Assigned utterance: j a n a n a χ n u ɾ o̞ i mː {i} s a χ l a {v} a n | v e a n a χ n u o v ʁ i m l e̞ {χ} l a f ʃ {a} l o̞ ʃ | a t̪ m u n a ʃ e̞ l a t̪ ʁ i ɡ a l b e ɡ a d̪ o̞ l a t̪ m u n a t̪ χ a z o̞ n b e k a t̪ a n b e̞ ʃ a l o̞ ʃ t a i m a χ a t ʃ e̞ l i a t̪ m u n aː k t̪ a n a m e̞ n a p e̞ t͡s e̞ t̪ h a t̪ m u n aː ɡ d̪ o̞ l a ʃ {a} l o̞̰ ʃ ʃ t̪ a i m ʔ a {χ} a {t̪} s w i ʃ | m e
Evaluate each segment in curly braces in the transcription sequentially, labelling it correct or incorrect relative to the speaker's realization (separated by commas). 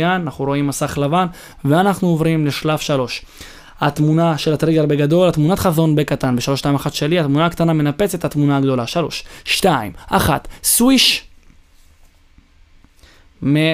incorrect, correct, incorrect, correct, correct, correct, correct